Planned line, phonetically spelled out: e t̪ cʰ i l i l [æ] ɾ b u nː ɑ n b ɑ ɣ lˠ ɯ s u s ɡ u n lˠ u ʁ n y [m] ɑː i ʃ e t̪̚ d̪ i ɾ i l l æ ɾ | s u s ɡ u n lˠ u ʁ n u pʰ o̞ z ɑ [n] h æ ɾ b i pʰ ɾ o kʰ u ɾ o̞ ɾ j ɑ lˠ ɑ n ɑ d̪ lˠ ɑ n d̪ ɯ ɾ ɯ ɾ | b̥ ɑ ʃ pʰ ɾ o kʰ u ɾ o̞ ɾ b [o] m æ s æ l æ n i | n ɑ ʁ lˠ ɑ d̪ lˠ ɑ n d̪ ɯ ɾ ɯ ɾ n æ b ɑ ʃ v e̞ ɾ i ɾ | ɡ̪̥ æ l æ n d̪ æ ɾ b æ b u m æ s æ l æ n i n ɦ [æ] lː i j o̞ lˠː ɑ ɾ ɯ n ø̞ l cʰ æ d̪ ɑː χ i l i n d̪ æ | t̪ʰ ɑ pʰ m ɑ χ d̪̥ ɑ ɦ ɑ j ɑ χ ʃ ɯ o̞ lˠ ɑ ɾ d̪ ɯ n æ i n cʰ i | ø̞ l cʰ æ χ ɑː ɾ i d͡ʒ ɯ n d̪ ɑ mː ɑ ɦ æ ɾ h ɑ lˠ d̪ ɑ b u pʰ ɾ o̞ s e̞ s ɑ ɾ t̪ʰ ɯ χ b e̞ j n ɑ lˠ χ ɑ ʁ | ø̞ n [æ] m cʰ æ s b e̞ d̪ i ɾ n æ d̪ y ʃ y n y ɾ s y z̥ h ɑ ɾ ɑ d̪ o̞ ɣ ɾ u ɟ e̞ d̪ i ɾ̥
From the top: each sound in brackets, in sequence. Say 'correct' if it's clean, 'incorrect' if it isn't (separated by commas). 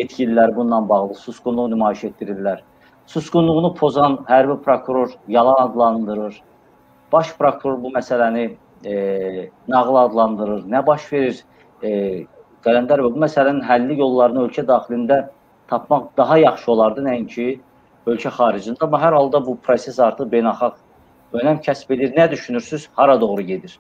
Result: correct, correct, correct, incorrect, correct, correct